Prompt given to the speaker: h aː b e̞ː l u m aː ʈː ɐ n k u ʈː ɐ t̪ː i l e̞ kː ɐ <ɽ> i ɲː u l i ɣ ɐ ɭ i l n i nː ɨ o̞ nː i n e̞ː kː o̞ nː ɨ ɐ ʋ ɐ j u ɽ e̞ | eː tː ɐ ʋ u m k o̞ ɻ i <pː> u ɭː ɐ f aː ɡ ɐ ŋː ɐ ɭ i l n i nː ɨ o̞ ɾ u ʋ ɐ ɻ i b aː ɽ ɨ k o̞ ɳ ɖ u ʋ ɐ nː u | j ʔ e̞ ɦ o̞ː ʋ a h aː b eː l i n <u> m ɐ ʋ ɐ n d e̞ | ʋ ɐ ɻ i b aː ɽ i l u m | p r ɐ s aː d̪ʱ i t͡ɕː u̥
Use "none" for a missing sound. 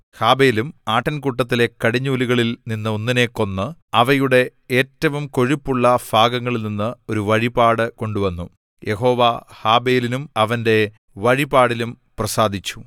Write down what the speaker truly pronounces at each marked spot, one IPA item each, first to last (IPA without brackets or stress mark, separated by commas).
ɽ, pː, u